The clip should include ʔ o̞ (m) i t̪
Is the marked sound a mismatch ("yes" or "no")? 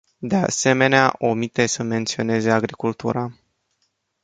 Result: no